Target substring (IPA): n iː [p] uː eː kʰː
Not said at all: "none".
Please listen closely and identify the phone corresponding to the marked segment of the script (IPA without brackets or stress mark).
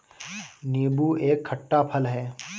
b